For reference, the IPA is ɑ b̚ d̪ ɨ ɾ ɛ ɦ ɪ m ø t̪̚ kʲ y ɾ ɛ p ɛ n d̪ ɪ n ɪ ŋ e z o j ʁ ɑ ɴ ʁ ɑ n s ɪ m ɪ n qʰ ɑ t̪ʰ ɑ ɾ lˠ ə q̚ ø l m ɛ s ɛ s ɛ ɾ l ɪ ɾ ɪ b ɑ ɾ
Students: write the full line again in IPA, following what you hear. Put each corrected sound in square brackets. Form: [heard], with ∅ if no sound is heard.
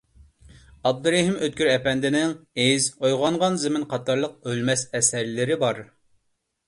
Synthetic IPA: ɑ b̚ d̪ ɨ ɾ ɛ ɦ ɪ m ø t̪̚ kʲ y ɾ ɛ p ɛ n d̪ ɪ n ɪ ŋ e z o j ʁ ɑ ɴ ʁ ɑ n [z] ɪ m ɪ n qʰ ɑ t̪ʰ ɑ ɾ lˠ ə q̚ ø l m ɛ s ɛ s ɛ ɾ l ɪ ɾ ɪ b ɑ ɾ